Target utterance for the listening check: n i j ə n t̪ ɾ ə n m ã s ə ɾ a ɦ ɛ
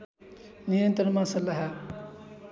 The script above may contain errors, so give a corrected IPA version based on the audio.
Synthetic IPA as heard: n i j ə n t̪ ɾ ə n m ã s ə l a ɦ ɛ